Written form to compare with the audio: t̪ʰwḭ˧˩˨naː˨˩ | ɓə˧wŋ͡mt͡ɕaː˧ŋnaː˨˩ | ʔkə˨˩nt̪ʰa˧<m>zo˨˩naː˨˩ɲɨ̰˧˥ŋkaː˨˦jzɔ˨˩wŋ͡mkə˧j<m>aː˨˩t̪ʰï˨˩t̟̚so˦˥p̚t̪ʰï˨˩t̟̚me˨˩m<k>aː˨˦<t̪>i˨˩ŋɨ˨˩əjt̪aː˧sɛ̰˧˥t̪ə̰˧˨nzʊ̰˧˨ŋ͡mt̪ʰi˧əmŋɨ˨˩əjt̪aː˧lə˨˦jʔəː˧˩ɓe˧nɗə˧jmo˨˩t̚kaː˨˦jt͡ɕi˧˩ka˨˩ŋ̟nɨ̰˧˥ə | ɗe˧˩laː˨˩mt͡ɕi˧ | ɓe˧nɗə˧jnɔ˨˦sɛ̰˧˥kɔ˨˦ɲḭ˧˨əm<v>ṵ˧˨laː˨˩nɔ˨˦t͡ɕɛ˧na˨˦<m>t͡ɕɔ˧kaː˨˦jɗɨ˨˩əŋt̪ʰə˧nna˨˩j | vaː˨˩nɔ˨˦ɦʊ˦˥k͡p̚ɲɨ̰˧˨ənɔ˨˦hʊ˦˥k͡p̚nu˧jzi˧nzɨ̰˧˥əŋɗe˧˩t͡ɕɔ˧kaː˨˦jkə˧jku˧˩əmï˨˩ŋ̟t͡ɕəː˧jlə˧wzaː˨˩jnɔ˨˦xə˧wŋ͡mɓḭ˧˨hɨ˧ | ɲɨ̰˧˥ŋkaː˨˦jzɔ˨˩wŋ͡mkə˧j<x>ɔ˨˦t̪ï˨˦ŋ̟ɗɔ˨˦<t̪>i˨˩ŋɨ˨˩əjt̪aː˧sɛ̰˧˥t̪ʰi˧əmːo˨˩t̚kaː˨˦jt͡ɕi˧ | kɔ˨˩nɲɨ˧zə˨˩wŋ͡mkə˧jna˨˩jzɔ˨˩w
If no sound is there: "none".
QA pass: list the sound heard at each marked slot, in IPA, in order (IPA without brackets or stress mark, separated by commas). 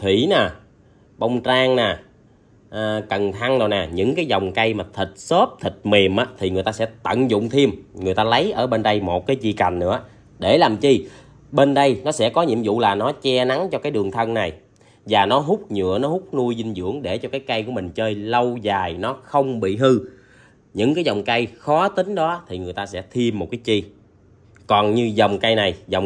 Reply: ŋ, m, ʔ, t̪ʰ, z, ŋ, x, t̪ʰ